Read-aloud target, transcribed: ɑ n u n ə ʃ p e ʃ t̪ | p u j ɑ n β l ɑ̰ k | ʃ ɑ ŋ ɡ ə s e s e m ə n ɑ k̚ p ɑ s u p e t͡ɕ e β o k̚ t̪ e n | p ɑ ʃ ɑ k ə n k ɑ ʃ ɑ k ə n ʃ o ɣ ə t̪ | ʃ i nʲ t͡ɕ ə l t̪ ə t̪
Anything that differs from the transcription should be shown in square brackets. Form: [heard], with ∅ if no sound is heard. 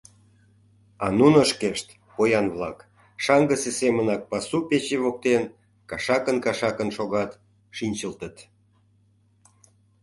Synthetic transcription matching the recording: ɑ n u n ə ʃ [k] e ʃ t̪ | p [o] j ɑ n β l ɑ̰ k | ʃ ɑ ŋ ɡ ə s e s e m ə n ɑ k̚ p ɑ s u p e t͡ɕ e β o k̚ t̪ e n | [k] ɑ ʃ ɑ k ə n k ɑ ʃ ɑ k ə n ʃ o ɣ [ɑ] t̪ | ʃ i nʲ t͡ɕ ə l t̪ ə t̪